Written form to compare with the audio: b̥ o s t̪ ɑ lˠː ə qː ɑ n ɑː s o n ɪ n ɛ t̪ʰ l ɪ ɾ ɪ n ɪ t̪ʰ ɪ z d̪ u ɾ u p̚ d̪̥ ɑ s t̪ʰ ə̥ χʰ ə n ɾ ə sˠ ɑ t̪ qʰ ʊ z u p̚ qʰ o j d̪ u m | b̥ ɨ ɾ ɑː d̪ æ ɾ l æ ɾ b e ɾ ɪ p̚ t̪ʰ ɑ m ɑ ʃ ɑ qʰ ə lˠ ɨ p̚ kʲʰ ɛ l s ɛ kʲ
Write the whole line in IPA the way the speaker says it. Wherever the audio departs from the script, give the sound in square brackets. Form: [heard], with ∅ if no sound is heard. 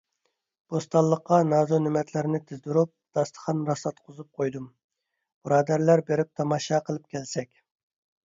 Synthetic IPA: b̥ o s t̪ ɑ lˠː ə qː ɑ n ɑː [z] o n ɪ [m] ɛ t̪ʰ l ɪ ɾ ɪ n ɪ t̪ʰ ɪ z d̪ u ɾ u p̚ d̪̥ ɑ s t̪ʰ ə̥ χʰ [ɑ] n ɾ [ɑ] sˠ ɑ t̪ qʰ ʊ z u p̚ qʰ o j d̪ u m | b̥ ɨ ɾ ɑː d̪ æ ɾ l æ ɾ b e ɾ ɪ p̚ t̪ʰ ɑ m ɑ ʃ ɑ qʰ ə lˠ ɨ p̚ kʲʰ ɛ l s ɛ kʲ